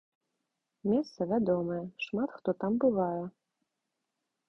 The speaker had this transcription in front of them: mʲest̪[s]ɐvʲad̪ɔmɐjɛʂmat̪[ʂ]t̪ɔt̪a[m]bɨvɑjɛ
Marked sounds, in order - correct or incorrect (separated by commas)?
correct, incorrect, correct